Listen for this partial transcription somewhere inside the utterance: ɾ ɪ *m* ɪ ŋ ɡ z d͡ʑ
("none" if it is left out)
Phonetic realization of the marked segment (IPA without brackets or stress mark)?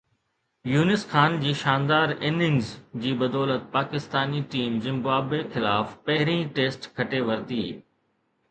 n